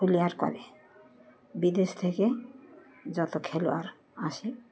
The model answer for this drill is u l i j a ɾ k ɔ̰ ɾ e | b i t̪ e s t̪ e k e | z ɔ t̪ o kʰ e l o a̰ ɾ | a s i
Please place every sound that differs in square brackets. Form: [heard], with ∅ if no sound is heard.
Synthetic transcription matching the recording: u l i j a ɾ k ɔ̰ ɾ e | b i [d̪] e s [t̪ʰ] e k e | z ɔ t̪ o kʰ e l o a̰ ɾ | a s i